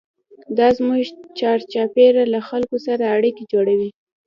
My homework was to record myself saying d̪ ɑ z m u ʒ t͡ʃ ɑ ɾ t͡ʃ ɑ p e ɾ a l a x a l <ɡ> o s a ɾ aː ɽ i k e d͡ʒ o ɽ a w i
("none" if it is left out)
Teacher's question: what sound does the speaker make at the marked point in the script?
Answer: k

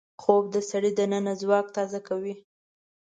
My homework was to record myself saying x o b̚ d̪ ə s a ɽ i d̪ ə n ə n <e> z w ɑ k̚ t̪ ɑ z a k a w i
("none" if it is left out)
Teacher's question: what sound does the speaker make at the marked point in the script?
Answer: a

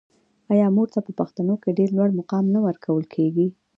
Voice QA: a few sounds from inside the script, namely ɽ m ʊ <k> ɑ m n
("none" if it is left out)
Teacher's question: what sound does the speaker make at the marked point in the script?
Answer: q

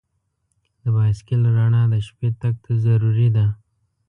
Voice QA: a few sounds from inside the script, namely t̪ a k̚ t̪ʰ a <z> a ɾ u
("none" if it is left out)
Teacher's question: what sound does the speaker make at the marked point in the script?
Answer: z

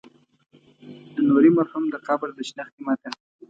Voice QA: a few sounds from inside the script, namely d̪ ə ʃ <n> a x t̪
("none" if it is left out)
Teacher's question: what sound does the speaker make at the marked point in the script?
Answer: n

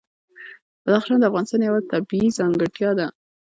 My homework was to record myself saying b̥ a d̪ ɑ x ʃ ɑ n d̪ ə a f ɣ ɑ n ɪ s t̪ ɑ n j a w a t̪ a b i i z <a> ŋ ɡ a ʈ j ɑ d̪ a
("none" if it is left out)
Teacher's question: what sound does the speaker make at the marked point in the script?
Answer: ɑ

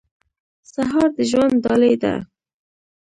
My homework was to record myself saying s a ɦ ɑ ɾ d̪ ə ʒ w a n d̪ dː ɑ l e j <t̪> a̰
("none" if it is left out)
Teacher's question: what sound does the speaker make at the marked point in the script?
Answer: d̪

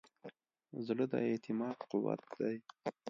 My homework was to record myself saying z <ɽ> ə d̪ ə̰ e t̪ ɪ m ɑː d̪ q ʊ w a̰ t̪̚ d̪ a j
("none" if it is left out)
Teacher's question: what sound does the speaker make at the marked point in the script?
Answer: l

